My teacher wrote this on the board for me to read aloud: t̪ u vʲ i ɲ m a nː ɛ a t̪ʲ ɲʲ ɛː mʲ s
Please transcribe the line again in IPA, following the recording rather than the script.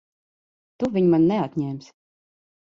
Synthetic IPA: t̪ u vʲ i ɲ m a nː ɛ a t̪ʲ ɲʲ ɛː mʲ s